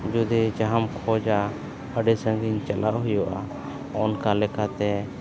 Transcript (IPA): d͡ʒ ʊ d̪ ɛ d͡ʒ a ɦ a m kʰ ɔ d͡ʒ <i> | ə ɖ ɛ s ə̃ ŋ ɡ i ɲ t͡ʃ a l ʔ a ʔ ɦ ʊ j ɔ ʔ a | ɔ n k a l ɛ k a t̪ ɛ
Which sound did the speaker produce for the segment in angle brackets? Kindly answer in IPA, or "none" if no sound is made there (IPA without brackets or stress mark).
a